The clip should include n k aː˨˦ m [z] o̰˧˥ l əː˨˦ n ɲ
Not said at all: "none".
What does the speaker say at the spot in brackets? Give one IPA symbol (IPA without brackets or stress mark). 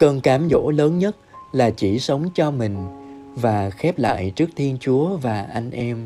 z